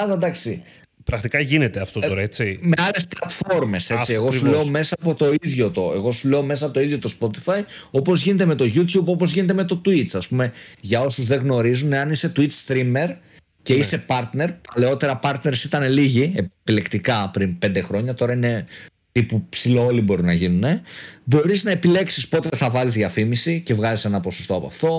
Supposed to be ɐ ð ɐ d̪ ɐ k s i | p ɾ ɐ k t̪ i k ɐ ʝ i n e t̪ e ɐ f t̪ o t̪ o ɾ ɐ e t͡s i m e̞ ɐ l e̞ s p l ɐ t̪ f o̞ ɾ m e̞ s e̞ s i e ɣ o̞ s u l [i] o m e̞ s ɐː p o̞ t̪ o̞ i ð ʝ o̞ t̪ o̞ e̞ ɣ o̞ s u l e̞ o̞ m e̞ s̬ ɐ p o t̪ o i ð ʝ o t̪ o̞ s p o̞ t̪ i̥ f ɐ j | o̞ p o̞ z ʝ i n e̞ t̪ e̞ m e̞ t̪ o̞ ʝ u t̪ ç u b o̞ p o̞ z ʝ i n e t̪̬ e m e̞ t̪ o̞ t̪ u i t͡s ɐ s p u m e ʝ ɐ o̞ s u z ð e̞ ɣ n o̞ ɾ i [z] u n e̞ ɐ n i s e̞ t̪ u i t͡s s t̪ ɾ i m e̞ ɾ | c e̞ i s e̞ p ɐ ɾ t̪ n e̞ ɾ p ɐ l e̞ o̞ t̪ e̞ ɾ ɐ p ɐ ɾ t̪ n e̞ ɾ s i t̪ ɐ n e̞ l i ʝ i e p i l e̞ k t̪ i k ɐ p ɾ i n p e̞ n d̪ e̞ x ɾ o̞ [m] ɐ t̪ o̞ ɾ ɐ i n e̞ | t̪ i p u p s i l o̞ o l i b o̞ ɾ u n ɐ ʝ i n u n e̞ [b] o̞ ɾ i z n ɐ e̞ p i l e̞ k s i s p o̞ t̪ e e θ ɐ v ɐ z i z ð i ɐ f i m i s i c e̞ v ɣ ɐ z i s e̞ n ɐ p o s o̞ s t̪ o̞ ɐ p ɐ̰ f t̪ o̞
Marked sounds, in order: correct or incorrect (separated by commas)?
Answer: incorrect, correct, incorrect, correct